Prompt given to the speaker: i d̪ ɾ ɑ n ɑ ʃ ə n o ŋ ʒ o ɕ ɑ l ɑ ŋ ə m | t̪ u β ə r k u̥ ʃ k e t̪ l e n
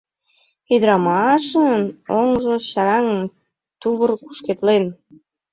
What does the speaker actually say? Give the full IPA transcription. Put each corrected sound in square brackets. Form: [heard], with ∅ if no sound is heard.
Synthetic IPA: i d̪ ɾ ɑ [m] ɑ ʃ ə n o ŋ ʒ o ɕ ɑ [ɾ] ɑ ŋ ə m | t̪ u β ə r k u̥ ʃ k e t̪ l e n